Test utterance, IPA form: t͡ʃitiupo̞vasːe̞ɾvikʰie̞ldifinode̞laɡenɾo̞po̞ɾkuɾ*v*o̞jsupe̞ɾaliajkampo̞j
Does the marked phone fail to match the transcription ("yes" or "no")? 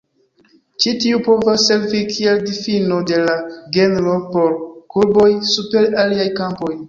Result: yes